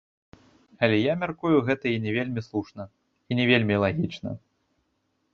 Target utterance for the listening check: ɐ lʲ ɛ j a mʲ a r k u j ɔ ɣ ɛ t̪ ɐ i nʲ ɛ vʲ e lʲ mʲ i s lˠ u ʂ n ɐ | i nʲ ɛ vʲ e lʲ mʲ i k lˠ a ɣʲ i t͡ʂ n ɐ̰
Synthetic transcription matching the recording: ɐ lʲ ɛ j a mʲ a r k u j u ɣ ɛ t̪ ɐ i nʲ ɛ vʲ e lʲ mʲ i s lˠ u ʂ n ɐ | i nʲ ɛ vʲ e lʲ mʲ i lˠ a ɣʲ i t͡ʂ n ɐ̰

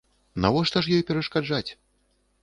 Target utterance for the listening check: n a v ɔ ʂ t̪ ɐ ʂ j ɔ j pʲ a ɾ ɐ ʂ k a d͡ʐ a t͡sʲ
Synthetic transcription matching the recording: n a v ɔ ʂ t̪ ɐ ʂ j ɔ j pʲ ɛ ɾ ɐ ʂ k a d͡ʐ a t͡sʲ

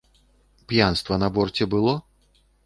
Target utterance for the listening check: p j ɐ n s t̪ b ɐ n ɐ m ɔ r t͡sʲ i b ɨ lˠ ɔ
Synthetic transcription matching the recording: p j a n s t̪ v ɐ n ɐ b ɔ r t͡sʲ ɛ b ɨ lˠ ɔ

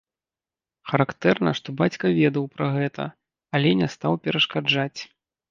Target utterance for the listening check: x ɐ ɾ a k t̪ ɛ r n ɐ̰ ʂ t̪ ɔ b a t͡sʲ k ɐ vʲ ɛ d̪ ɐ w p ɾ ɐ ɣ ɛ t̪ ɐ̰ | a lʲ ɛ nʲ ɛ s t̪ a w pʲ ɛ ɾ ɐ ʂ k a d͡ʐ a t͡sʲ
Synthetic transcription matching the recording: x ɐ ɾ a k t̪ ɛ r n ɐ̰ ʂ t̪ ɔ b a t͡sʲ k ɐ vʲ ɛ d̪ ɐ w p ɾ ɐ ɣ ɛ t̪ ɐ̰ | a lʲ ɛ nʲ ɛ s t̪ a w pʲ ɛ ɾ ɐ ʂ k a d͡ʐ a t͡sʲ

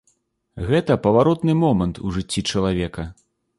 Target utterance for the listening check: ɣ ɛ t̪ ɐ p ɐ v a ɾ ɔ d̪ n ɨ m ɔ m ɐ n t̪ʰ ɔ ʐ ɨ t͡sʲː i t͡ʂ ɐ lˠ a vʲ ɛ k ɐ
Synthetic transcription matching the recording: ɣ ɛ t̪ ɐ p ɐ v a ɾ ɔ t̪ n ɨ m ɔ m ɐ n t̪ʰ u ʐ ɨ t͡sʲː i t͡ʂ ɐ lˠ a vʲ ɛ k ɐ

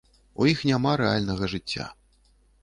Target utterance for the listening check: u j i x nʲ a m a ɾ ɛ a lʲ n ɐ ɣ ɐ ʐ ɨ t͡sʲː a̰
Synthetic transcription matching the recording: u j i x nʲ a m a ɾ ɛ a lʲ n ɐ ɣ ɐ ʐ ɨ t͡sʲː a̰

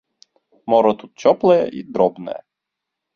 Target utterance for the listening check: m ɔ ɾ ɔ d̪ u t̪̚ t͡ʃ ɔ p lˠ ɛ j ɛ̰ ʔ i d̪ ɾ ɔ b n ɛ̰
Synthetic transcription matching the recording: m ɔ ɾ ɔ t̪ u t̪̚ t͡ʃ ɔ p lˠ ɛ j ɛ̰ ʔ i d̪ ɾ ɔ b n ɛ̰

